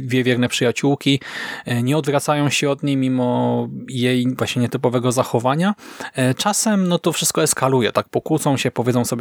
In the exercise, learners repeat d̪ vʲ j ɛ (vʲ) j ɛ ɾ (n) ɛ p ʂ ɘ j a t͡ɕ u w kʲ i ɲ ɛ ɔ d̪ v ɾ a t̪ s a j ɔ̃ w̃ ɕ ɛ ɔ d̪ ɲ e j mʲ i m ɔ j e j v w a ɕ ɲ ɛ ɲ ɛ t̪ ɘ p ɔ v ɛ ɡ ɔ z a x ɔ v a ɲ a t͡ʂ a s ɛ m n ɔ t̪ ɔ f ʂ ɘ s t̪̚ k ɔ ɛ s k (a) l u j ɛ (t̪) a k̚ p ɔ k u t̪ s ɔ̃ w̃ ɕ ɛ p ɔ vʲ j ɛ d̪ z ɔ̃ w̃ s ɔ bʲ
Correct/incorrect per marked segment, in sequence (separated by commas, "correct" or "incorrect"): correct, correct, correct, correct